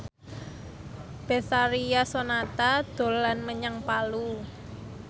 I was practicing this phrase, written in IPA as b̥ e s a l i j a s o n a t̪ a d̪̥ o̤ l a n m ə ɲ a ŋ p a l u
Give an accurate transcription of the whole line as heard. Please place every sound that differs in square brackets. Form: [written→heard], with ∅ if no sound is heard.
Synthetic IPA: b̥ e s a [l→ɾ] i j a s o n a t̪ a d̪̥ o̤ l a n m ə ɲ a ŋ p a l u

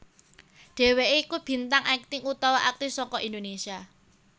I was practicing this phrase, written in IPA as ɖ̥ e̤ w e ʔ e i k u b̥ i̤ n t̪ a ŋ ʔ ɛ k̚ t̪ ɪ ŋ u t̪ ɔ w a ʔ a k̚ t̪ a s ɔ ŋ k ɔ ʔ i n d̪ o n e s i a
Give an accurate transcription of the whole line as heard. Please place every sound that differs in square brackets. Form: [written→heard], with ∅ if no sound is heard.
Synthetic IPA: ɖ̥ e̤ w e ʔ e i k u b̥ i̤ n t̪ a ŋ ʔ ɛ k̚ t̪ ɪ ŋ u t̪ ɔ w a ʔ a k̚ t̪ [a→i] s ɔ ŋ k ɔ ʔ i n d̪ o n e s i a

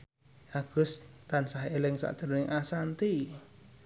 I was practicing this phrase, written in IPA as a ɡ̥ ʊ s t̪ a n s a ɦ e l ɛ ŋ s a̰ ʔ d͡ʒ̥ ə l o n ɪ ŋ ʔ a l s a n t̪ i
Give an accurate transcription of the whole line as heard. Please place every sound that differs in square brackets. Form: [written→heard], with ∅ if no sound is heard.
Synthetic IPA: a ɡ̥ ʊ s t̪ a n s a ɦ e l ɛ ŋ s a̰ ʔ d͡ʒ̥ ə [l→ɾ] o n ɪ ŋ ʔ a [l→∅] s a n t̪ i

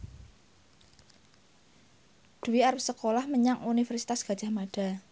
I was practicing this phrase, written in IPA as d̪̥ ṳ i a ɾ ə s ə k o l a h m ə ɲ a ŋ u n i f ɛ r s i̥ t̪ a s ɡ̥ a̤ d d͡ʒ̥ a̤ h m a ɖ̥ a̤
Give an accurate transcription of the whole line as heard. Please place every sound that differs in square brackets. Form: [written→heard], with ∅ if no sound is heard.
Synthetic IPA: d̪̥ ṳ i a ɾ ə s ə k o l a h m ə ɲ a ŋ u n i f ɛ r s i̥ t̪ a s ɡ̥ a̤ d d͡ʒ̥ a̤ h m a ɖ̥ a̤

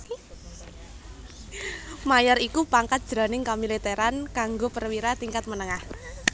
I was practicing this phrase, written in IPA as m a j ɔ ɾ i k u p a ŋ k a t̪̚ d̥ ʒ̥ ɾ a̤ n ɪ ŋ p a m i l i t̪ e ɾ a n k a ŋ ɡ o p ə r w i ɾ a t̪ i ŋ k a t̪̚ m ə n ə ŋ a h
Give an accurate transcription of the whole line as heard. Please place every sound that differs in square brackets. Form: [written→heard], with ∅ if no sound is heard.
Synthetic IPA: m a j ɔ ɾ i k u p a ŋ k a t̪̚ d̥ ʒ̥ ɾ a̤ n ɪ ŋ [p→k] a m i l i t̪ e ɾ a n k a ŋ ɡ o p ə r w i ɾ a t̪ i ŋ k a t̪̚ m ə n ə ŋ a h

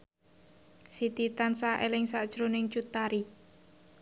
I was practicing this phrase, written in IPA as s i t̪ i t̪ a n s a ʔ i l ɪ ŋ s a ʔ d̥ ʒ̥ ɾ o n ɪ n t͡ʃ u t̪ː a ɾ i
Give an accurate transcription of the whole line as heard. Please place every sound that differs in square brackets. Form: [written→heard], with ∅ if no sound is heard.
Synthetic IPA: s i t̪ i t̪ a n s a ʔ [i→e] l ɪ ŋ s a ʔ d̥ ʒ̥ ɾ o n ɪ [n→ŋ] t͡ʃ u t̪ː a ɾ i

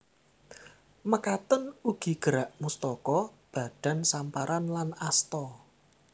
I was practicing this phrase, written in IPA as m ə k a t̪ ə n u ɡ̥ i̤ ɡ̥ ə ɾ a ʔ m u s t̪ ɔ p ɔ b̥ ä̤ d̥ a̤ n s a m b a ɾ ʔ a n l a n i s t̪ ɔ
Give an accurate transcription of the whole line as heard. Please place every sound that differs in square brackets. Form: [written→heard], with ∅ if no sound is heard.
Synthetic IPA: m ə k a t̪ ə n u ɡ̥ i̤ ɡ̥ ə ɾ a ʔ m u s t̪ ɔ [p→k] ɔ b̥ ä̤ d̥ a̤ n s a m [b→p] a ɾ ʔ a n l a n [i→a] s t̪ ɔ

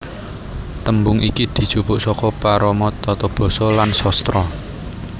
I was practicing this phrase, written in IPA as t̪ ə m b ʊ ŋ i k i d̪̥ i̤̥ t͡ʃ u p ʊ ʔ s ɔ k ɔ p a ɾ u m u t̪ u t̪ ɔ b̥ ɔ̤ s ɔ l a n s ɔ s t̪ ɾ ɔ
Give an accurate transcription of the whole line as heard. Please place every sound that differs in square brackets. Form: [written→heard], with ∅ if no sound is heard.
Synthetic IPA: t̪ ə m b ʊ ŋ i k i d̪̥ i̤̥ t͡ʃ u p ʊ ʔ s ɔ k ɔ p a ɾ [u→ɔ] m [u→ɔ] t̪ [u→ɔ] t̪ ɔ b̥ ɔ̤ s ɔ l a n s ɔ s t̪ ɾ ɔ

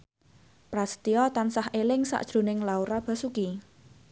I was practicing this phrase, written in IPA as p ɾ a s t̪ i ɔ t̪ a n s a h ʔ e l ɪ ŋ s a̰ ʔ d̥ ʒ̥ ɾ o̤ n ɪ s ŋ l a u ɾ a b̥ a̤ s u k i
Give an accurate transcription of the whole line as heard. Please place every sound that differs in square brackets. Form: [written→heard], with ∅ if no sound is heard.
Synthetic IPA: p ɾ a s t̪ i ɔ t̪ a n s a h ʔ e l ɪ ŋ s a̰ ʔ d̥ ʒ̥ ɾ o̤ n ɪ [s→∅] ŋ l a u ɾ a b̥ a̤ s u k i

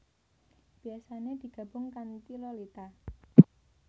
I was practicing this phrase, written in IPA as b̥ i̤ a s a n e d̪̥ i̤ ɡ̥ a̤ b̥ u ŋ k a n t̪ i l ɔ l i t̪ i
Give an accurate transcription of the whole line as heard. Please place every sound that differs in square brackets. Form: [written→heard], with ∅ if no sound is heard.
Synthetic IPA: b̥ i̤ a s a n e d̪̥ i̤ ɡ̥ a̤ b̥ [u→ʊ] ŋ k a n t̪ i l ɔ l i t̪ [i→a]

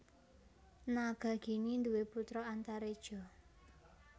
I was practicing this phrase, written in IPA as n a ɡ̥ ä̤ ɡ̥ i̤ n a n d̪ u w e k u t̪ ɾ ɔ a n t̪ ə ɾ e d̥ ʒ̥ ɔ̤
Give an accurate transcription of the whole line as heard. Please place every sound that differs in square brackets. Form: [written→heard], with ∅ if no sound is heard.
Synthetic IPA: n a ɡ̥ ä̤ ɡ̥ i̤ n [a→i] n d̪ u w e [k→p] u t̪ ɾ ɔ a n t̪ [ə→a] ɾ e d̥ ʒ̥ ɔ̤

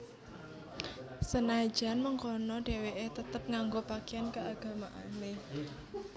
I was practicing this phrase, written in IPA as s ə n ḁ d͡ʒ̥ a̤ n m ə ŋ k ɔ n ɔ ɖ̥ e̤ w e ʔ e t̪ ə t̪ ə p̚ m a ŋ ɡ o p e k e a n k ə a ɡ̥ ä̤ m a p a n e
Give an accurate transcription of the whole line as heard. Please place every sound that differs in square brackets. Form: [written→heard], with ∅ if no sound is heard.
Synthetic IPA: s ə n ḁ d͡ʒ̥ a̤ n m ə ŋ k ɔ n ɔ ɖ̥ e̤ w e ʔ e t̪ ə t̪ ə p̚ [m→ŋ] a ŋ ɡ o p [e→a] k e a n k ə a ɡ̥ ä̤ m a [p→ʔ] a n e

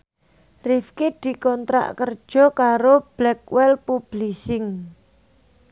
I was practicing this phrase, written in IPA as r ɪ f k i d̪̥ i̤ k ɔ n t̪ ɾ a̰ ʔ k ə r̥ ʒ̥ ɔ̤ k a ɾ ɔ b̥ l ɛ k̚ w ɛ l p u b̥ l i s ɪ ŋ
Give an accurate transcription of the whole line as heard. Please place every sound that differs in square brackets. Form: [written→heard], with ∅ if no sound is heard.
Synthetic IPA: r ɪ f k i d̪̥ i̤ k ɔ n t̪ ɾ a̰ ʔ k ə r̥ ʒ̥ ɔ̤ k a ɾ [ɔ→o] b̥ l ɛ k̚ w ɛ l p u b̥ l i s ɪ ŋ

